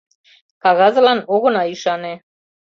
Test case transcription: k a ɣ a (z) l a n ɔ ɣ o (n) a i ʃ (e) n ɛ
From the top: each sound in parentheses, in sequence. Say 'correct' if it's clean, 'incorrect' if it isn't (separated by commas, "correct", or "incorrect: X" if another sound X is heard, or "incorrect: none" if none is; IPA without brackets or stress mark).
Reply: correct, correct, incorrect: a